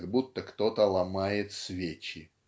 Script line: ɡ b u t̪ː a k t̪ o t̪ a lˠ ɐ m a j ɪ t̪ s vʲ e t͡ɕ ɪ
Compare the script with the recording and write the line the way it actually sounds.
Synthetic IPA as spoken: ɡ b u t̪ː ə k t̪ o t̪ ə lˠ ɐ m a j ɪ t̪ s vʲ e t͡ɕ ɪ